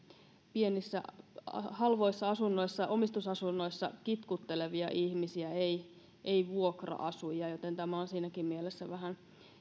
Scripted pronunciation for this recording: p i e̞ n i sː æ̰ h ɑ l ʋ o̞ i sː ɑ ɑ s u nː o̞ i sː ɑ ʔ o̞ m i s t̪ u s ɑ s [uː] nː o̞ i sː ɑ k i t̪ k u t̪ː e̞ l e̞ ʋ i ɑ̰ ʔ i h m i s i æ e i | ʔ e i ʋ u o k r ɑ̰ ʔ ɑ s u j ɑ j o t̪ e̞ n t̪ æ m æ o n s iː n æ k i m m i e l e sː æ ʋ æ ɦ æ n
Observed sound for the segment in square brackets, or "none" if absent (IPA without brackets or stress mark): u